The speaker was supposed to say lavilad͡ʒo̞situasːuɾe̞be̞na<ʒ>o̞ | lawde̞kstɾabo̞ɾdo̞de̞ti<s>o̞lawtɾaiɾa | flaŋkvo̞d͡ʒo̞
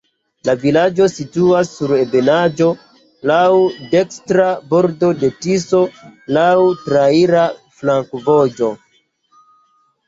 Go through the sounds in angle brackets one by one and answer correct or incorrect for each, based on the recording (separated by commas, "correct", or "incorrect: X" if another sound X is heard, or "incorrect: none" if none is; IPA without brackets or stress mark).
incorrect: d͡ʒ, correct